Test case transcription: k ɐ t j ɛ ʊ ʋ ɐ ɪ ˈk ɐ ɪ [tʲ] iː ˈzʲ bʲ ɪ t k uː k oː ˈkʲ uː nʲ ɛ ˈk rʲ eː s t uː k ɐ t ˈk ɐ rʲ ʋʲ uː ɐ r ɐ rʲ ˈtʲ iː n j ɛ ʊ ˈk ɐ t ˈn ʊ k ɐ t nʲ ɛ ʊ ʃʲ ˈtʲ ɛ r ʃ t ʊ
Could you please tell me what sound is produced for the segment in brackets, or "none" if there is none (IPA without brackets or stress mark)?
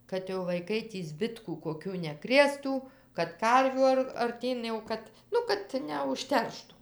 tʲ